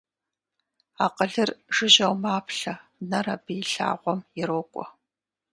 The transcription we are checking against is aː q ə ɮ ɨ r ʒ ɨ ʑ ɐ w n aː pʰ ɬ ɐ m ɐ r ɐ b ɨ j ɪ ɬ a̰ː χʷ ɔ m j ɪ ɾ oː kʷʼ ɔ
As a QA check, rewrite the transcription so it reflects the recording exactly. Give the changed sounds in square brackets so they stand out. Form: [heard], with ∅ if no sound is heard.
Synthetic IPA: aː q ə ɮ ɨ r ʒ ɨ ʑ ɐ w [m] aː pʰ ɬ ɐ [n] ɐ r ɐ b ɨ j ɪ ɬ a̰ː [ʁʷ] ɔ m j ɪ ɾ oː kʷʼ ɔ